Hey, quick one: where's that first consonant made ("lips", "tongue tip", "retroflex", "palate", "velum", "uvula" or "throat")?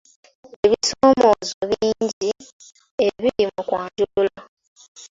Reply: lips